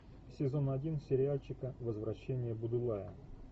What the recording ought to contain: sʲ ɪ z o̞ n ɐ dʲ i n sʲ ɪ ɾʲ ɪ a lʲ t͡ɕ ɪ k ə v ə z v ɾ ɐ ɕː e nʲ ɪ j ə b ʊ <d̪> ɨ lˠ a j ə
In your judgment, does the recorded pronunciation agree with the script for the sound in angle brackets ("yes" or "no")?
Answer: yes